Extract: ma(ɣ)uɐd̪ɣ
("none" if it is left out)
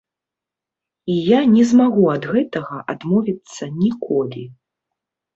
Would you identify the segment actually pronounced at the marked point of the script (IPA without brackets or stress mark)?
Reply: ɣ